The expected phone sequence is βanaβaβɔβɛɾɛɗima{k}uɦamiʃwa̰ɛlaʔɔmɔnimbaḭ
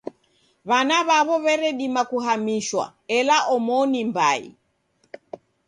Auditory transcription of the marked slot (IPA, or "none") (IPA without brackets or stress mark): k